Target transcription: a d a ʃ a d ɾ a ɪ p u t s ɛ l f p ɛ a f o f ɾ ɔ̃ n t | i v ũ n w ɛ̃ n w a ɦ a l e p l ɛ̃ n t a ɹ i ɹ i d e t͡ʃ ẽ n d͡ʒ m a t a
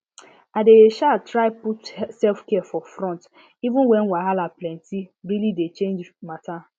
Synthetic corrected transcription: a d e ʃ a t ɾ a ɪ p u t s ɛ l f k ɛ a f ɔ f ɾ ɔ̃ n t | i v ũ n w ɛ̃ n w a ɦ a l a p l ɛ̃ n t i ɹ i l i d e t͡ʃ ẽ n d͡ʒ m a t a